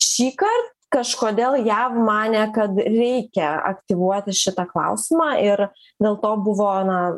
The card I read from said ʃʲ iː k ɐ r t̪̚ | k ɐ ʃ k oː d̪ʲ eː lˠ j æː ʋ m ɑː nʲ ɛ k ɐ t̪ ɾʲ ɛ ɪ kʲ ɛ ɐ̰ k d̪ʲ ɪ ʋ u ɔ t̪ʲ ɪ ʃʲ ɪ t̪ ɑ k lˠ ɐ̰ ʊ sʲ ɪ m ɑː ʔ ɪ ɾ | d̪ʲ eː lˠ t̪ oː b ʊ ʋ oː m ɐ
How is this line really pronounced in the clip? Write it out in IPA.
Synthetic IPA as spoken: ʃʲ iː k ɐ r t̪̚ | k ɐ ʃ k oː d̪ʲ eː lˠ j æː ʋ m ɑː nʲ ɛ k ɐ t̪ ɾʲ ɛ ɪ kʲ ɛ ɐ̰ k t̪ʲ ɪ ʋ u ɔ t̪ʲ ɪ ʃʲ ɪ t̪ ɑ k lˠ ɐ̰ ʊ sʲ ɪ m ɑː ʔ ɪ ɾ | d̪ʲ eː lˠ t̪ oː b ʊ ʋ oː n ɐ